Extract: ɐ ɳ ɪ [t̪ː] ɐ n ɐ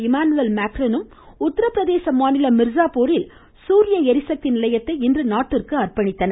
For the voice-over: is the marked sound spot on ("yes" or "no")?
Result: yes